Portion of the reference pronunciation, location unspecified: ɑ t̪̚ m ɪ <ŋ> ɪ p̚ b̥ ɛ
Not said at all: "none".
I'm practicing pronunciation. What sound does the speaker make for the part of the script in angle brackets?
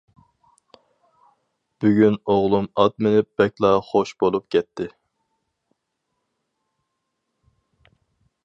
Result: n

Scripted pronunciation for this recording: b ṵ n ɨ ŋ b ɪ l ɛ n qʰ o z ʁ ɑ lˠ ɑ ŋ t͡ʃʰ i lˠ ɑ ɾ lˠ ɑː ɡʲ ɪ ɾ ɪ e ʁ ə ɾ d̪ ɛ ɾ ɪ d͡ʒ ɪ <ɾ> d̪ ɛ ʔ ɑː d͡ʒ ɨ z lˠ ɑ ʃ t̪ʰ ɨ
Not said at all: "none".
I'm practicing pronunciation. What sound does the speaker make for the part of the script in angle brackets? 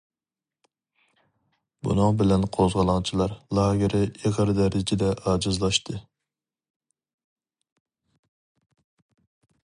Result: none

